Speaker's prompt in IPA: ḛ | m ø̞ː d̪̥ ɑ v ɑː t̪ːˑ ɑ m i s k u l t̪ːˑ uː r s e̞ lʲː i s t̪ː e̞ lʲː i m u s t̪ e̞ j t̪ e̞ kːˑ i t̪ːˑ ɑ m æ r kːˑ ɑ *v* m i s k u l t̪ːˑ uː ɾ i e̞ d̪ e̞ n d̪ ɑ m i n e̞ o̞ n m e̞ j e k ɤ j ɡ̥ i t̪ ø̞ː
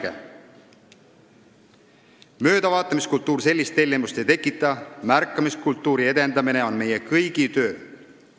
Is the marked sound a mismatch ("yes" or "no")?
yes